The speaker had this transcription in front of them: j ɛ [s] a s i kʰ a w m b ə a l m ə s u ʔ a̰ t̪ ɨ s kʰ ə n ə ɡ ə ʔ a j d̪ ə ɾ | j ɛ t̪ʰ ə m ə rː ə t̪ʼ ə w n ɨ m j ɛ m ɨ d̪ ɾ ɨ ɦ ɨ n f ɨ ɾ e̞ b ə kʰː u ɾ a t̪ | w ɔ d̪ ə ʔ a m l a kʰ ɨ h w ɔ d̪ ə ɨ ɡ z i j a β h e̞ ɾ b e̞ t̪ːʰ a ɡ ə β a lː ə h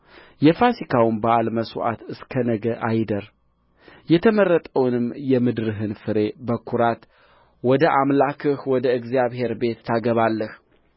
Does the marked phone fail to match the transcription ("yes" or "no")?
yes